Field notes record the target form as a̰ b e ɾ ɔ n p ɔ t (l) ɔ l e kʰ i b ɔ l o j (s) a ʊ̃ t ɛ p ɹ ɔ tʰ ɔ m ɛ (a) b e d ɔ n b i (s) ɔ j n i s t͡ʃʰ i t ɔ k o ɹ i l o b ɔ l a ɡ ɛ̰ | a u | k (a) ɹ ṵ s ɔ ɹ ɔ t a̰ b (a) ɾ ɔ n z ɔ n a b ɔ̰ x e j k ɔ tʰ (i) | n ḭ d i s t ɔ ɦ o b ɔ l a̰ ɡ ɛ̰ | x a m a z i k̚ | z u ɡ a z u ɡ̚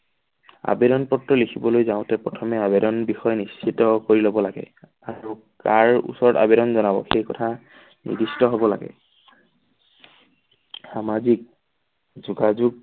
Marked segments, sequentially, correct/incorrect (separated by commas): incorrect, incorrect, correct, incorrect, correct, incorrect, incorrect